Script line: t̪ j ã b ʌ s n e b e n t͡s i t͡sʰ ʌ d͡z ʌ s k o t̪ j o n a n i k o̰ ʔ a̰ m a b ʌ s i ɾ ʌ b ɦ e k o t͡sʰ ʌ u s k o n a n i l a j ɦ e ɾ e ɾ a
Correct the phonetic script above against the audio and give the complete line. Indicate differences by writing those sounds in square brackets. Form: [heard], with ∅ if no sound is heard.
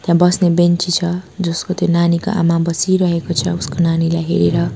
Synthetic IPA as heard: t̪ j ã b ʌ s n e b e n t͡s i t͡sʰ ʌ d͡z ʌ s k o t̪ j o n a n i k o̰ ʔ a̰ m a b ʌ s i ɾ ʌ [∅] ɦ e k o t͡sʰ ʌ u s k o n a n i l a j ɦ e ɾ e ɾ [ʌ]